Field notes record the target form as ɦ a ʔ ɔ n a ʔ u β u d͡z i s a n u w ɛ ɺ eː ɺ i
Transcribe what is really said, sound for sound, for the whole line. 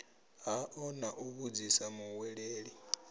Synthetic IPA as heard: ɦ a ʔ ɔ n a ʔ u β u d͡z i s a m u w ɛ ɺ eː ɺ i